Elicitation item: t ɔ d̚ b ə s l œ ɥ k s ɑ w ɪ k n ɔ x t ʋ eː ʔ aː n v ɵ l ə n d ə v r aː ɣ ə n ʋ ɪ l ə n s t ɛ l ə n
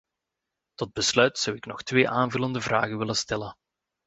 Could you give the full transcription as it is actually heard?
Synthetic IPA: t ɔ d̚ b ə s l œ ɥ t s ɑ w ɪ k n ɔ x t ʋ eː ʔ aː n v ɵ l ə n d ə v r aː ɣ ə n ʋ ɪ l ə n s t ɛ l ə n